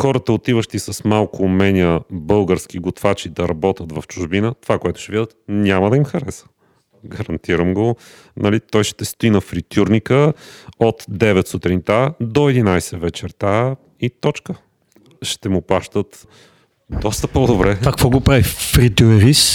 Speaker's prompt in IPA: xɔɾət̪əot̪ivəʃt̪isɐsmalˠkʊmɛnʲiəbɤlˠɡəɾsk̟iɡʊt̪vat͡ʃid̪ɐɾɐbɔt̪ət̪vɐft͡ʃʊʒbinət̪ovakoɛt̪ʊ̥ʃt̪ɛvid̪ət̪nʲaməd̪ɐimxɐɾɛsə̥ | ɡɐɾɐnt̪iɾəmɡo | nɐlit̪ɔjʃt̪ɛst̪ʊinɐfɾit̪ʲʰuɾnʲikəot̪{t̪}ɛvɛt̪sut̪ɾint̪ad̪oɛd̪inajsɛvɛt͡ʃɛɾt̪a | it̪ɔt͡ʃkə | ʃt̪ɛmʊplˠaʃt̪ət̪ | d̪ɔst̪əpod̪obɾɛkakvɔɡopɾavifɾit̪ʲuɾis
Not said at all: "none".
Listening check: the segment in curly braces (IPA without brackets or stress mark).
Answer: d̪